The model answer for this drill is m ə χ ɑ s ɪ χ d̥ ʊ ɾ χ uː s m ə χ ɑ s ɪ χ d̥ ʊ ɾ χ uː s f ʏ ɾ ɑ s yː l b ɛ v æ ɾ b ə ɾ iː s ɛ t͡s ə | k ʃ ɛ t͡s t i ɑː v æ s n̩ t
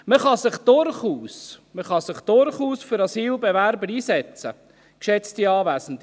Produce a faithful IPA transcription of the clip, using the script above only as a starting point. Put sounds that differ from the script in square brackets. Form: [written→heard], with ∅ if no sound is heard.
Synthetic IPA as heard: m ə χ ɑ s ɪ χ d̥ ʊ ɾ χ uː s m ə χ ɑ s ɪ χ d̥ ʊ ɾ χ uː s f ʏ ɾ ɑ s [yː→iː] l b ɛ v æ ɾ b ə ɾ iː s ɛ t͡s ə | k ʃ ɛ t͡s t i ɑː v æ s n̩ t